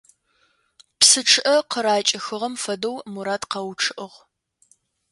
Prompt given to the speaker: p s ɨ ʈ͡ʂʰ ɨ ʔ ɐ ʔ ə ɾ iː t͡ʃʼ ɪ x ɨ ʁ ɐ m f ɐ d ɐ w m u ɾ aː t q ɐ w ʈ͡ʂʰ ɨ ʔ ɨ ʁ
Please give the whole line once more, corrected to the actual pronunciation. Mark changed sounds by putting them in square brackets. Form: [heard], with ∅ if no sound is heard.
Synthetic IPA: p s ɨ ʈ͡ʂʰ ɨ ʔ ɐ [q] ə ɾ [aː] t͡ʃʼ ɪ x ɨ ʁ ɐ m f ɐ d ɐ w m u ɾ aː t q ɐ w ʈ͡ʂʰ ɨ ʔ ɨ ʁ